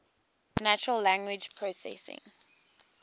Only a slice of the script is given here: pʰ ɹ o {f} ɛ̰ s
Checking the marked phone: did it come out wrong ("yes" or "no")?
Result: yes